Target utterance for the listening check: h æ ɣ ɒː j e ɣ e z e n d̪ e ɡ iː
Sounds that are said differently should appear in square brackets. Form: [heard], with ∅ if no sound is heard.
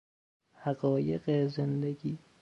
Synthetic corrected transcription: h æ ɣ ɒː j e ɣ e z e n d̪ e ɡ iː